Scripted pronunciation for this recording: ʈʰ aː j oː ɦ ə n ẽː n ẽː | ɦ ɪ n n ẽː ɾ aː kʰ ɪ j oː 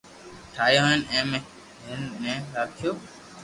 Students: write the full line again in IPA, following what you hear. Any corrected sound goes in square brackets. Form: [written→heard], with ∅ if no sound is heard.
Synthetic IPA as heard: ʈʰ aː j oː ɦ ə n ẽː [n→m] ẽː | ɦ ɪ n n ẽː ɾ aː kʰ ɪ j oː